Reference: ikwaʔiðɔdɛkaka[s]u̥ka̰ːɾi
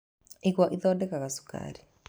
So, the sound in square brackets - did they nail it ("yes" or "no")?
yes